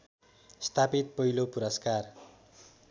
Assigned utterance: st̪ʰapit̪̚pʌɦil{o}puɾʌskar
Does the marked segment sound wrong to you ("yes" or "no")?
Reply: no